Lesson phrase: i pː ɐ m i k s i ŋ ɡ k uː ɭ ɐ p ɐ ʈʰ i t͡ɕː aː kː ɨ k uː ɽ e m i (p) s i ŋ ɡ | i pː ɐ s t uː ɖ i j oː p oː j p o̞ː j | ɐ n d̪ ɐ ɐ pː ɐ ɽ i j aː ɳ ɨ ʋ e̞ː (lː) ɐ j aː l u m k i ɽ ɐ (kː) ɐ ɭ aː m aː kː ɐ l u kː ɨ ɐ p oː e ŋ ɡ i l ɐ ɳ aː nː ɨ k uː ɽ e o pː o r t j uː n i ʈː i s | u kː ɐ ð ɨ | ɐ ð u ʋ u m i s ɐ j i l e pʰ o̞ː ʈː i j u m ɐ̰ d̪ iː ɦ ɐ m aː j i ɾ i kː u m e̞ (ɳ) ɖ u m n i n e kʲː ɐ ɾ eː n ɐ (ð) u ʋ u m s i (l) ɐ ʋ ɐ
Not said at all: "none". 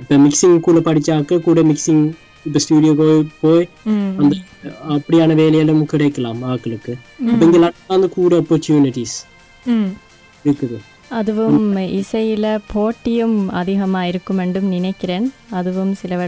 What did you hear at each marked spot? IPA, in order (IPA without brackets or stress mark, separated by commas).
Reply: k, l, kː, ɳ, ð, l